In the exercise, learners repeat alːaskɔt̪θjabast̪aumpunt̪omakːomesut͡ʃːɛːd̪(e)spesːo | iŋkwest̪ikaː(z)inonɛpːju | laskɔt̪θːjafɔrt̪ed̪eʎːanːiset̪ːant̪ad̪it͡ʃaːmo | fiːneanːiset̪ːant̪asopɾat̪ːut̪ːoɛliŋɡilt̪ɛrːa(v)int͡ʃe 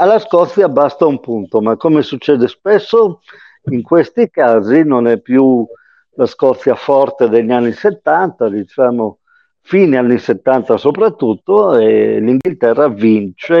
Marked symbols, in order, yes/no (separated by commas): yes, yes, yes